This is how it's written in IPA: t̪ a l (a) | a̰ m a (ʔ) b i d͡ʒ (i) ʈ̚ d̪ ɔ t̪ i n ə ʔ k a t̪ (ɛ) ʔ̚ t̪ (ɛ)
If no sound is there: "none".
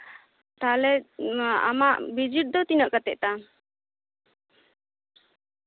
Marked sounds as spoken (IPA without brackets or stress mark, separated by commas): ɛ, ʔ, i, ɛ, a